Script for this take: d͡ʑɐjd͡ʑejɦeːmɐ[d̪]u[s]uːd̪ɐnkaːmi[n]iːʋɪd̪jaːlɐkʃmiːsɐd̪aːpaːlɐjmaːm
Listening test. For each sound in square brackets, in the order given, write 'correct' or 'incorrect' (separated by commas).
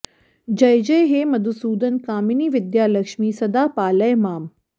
correct, correct, correct